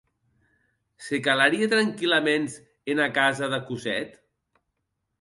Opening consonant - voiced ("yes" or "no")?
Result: no